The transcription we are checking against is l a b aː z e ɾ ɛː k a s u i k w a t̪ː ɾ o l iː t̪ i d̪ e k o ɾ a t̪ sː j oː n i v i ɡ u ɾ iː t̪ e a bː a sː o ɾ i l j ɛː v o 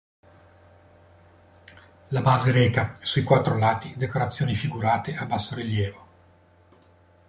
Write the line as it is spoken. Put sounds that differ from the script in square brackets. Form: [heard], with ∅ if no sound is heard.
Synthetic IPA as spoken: l a b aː z e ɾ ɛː k a s u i k w a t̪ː ɾ o l [aː] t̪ i d̪ e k o ɾ a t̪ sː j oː n i [f] i ɡ u ɾ [aː] t̪ e a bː a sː o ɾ i l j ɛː v o